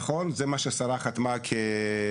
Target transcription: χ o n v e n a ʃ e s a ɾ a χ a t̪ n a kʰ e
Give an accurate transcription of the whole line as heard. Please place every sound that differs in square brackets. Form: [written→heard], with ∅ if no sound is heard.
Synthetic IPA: χ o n [v→z] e [n→m] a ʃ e s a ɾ a χ a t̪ [n→m] a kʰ e